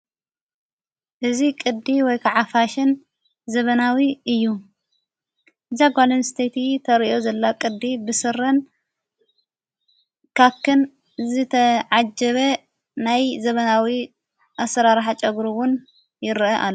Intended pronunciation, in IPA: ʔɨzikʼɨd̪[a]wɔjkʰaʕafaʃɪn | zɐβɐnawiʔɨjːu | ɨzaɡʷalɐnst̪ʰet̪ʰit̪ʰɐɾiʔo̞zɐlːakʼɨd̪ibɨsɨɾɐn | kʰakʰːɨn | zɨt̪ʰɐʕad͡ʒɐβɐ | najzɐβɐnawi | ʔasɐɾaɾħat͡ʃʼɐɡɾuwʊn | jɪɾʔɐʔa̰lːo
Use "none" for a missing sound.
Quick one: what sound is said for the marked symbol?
i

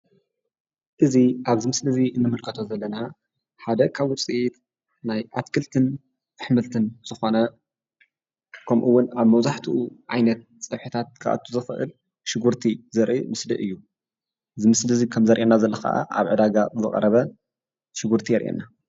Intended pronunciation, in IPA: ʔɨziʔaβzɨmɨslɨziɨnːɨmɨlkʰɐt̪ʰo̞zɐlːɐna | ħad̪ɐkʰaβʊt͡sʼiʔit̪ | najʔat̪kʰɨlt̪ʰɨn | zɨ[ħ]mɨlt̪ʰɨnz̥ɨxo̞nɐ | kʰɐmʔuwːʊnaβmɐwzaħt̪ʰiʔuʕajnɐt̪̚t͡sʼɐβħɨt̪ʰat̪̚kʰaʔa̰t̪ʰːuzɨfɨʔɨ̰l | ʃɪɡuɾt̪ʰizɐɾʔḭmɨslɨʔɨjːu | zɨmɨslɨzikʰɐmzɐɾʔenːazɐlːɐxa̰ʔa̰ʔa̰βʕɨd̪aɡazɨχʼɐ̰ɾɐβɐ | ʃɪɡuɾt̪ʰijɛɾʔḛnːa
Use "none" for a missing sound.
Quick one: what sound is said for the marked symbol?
ħ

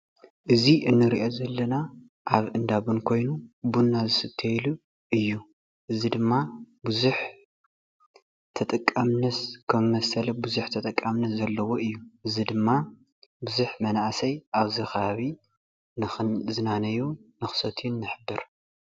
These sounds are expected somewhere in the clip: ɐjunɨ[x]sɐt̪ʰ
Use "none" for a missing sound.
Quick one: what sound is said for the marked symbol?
x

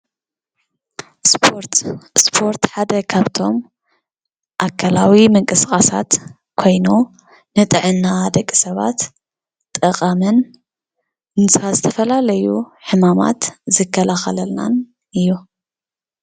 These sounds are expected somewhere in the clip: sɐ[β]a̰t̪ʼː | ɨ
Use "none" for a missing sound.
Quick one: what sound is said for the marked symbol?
β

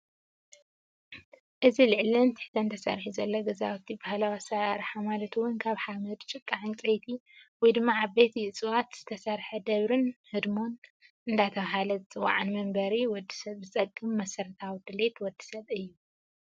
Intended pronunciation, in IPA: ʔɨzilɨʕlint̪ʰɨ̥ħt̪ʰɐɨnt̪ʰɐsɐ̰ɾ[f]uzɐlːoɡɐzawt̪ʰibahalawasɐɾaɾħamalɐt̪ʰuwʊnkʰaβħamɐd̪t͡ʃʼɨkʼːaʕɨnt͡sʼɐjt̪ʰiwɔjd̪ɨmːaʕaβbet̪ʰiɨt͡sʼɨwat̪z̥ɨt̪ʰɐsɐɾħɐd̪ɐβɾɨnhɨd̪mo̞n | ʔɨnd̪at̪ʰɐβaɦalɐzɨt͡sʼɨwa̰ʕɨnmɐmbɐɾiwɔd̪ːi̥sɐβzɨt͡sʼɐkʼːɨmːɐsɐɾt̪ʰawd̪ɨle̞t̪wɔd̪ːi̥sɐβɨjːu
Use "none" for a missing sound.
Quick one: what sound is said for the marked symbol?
ħ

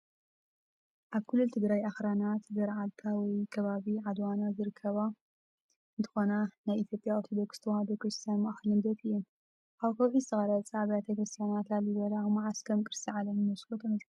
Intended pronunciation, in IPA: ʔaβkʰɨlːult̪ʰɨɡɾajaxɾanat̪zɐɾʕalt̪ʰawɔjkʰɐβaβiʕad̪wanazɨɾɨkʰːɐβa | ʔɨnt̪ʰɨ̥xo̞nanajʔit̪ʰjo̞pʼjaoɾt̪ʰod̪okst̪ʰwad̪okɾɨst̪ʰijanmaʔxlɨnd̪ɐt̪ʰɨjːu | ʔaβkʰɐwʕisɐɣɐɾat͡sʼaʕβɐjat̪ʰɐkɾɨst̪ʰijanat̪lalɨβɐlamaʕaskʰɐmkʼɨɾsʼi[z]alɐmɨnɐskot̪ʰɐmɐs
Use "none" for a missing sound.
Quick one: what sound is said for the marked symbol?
ʕ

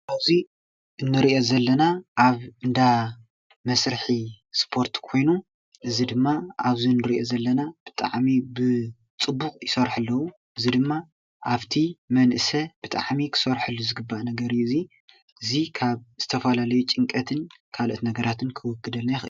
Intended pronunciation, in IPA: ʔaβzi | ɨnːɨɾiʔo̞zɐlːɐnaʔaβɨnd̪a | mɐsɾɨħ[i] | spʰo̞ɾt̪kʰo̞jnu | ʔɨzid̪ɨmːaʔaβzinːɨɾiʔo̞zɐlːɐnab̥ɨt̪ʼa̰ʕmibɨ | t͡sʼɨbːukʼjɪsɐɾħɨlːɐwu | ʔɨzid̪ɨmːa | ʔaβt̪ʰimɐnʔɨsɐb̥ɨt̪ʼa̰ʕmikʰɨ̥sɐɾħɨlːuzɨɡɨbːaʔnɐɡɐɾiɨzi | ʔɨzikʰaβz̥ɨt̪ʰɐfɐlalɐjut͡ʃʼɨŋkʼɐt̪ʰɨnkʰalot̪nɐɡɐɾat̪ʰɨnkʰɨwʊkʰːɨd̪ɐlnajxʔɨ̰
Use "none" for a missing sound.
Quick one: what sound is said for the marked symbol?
i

